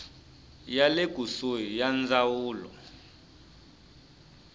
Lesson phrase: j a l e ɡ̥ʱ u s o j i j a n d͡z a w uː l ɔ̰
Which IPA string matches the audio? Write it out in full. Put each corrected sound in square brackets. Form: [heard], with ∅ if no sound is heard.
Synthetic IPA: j a l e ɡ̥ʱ u s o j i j a n d͡z a w uː l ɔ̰

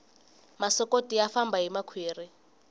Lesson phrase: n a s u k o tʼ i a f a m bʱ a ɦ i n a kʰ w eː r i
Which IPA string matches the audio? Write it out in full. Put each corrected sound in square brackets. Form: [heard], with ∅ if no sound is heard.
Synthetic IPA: [m] a s [ɔ] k o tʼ i a f a m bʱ a ɦ i [m] a kʰ w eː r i

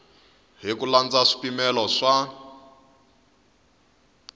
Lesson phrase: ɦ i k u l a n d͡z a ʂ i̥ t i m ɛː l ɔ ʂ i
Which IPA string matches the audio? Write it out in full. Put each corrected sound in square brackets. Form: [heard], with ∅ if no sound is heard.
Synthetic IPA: ɦ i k u l a n d͡z a ʂ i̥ [p] i m [ɛ] l ɔ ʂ [a]

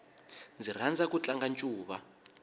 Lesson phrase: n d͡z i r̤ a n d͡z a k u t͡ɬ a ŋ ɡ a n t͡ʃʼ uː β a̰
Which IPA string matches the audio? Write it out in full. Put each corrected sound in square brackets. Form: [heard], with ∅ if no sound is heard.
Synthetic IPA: n d͡z i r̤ a n d͡z a k u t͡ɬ a ŋ ɡ a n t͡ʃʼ uː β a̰

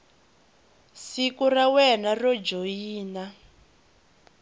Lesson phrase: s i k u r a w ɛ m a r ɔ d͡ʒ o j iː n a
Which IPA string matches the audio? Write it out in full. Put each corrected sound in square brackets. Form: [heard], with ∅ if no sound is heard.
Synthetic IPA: s i k u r a w ɛ [n] a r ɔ d͡ʒ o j iː n a

